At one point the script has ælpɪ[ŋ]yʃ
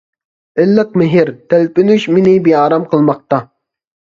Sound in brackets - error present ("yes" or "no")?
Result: yes